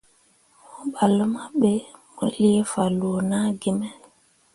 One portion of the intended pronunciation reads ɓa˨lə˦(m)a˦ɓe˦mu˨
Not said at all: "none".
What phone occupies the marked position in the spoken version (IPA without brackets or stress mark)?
m